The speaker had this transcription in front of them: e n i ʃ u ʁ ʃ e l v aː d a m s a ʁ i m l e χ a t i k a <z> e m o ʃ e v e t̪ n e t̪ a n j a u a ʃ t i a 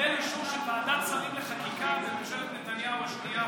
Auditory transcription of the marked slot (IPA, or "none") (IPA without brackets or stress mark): z